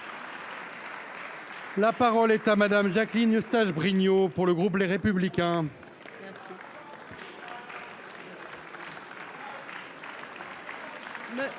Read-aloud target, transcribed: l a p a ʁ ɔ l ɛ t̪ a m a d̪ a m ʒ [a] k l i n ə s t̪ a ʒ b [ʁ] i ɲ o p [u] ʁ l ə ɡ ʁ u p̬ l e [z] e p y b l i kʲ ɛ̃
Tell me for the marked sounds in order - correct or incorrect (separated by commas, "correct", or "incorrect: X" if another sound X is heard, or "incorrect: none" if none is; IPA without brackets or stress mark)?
correct, correct, correct, incorrect: ʁ